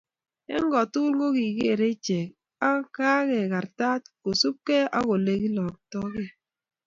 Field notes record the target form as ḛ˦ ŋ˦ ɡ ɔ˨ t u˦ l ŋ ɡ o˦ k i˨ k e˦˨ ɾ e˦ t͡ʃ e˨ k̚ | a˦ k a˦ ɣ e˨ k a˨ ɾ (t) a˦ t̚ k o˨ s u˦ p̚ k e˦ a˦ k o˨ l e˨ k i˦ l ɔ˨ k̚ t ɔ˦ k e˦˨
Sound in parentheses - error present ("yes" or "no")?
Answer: no